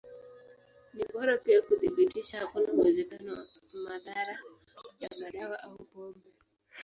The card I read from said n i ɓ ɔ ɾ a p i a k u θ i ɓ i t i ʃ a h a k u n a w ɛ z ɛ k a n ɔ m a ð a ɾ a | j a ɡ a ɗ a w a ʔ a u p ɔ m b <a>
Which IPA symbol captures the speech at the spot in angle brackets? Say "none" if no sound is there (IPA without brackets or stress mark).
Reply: ɛ